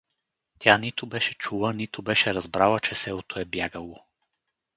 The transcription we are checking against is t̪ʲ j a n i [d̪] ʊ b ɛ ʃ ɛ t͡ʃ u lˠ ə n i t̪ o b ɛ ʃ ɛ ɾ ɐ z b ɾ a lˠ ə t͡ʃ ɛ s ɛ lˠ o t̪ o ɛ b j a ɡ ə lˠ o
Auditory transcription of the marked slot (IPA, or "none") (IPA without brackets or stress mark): t̪